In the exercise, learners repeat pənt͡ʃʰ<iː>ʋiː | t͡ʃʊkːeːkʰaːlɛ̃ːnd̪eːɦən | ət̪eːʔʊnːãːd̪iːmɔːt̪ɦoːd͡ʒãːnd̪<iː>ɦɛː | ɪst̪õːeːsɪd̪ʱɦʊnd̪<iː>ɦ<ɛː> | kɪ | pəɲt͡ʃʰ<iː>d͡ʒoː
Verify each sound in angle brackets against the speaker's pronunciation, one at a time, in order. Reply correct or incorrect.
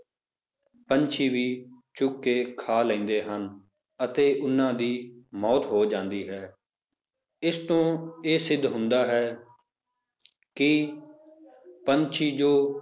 correct, correct, incorrect, correct, correct

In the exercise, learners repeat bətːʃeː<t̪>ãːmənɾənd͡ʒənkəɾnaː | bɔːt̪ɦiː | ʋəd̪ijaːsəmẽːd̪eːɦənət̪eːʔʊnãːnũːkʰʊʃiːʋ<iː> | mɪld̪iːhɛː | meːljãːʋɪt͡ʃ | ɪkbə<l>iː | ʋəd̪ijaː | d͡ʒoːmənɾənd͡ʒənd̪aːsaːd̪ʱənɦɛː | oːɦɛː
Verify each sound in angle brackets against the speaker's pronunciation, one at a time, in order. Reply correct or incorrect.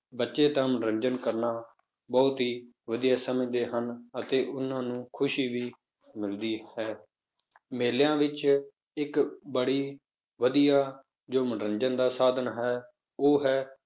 correct, correct, incorrect

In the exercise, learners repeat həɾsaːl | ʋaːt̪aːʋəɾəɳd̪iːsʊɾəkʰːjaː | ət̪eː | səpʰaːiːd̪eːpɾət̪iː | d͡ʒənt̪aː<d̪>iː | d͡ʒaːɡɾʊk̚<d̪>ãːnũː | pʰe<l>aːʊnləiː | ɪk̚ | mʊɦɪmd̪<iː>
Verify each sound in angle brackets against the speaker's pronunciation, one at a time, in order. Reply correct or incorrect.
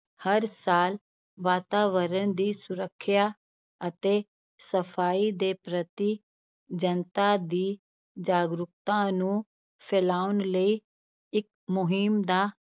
correct, incorrect, correct, incorrect

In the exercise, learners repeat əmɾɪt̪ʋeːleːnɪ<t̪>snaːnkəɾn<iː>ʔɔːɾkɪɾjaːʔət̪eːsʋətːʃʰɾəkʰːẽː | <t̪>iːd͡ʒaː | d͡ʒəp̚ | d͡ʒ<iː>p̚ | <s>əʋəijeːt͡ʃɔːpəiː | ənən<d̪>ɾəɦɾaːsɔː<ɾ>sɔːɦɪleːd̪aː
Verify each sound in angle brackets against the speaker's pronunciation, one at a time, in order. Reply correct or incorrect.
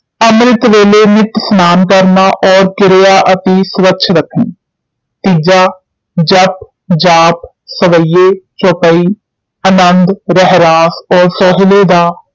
correct, incorrect, correct, incorrect, correct, correct, correct

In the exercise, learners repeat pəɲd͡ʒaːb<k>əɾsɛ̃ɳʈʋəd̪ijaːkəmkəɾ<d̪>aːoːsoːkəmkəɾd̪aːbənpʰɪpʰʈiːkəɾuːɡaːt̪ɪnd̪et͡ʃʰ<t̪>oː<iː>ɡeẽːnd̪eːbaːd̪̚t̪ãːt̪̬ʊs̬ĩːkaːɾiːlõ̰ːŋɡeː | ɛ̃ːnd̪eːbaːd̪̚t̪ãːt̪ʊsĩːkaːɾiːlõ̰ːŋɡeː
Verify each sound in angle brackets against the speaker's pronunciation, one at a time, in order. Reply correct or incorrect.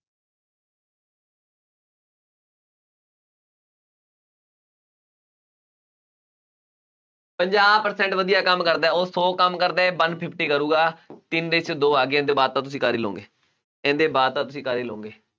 incorrect, correct, incorrect, incorrect

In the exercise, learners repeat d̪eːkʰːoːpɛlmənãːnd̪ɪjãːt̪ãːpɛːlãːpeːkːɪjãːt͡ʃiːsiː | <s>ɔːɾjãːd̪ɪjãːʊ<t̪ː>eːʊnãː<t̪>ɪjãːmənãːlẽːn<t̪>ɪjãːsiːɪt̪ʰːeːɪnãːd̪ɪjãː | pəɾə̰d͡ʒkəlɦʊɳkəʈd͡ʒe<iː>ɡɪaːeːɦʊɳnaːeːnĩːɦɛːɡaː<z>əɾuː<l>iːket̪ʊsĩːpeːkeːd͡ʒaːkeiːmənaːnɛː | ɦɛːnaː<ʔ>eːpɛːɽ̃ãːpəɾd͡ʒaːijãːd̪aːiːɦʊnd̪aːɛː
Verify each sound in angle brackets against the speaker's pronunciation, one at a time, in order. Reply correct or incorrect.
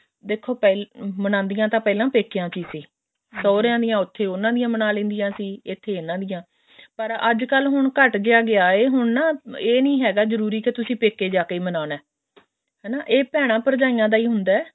correct, incorrect, incorrect, incorrect, incorrect, correct, incorrect, correct

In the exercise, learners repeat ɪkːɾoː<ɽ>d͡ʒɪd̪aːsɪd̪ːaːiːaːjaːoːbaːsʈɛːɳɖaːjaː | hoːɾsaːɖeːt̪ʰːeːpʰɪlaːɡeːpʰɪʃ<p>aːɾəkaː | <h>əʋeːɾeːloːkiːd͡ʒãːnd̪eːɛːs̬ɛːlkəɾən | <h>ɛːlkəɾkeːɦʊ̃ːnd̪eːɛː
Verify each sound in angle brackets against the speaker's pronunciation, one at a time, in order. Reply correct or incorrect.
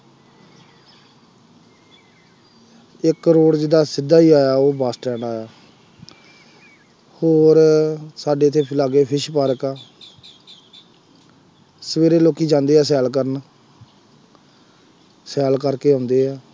correct, correct, incorrect, incorrect

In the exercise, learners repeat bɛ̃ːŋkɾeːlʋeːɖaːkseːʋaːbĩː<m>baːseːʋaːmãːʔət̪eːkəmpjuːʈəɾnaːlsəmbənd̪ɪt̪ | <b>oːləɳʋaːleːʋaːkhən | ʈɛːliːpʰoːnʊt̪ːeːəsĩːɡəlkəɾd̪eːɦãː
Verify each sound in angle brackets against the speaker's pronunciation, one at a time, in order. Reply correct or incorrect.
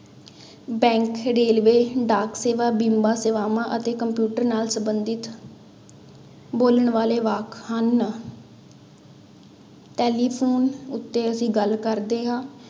correct, correct

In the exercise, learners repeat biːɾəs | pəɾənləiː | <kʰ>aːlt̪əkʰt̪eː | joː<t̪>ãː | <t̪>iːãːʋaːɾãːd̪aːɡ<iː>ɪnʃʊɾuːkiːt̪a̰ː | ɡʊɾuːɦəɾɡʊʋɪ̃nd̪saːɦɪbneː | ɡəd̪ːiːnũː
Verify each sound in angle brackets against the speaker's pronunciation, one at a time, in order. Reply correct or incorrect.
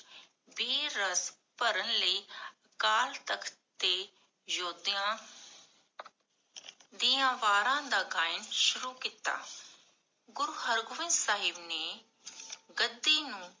incorrect, incorrect, incorrect, incorrect

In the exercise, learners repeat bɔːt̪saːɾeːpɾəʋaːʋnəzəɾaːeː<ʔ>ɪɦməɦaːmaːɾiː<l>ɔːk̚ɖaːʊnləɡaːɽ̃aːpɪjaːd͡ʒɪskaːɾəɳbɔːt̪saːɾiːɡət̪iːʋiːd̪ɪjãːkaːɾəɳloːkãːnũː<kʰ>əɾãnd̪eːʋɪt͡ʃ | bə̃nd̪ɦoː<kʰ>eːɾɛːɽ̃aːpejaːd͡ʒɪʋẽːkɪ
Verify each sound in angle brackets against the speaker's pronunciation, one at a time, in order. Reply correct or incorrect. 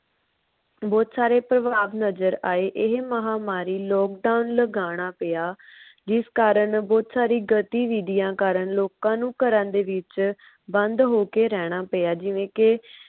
correct, correct, incorrect, incorrect

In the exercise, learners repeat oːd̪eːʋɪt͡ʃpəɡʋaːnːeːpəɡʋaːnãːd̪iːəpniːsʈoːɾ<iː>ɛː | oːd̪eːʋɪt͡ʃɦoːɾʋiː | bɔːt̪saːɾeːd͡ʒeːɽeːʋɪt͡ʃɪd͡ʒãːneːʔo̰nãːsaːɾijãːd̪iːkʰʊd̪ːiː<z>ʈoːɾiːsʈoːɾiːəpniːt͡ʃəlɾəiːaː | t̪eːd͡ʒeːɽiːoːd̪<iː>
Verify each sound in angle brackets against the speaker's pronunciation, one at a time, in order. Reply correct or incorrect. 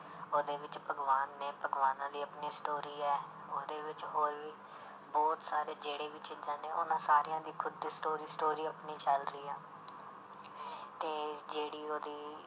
correct, incorrect, correct

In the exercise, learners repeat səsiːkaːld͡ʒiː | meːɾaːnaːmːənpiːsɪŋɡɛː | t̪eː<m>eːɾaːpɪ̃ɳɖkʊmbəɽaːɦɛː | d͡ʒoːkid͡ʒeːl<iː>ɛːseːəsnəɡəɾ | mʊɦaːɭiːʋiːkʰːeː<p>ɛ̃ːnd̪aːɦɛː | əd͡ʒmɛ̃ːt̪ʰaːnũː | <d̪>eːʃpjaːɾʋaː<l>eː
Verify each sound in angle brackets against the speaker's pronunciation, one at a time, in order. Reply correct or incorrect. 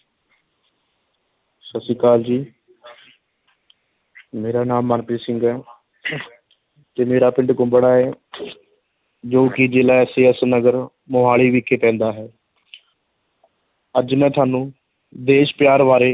correct, incorrect, correct, correct, incorrect

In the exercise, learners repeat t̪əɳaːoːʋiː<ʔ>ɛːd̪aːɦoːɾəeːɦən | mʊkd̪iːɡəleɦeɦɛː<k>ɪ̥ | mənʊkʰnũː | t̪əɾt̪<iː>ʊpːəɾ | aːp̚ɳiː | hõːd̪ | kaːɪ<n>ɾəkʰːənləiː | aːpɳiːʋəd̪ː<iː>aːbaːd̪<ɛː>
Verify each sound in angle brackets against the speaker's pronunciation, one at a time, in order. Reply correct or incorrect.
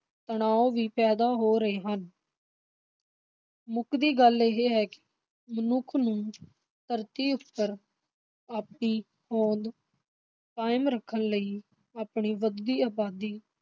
incorrect, correct, correct, incorrect, correct, incorrect

